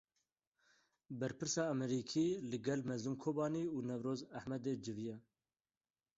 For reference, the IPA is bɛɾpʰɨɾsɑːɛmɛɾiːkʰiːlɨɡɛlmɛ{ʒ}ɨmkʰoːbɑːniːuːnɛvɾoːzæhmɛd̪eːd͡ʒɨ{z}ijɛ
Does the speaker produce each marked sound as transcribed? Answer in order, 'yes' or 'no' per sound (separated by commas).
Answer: no, no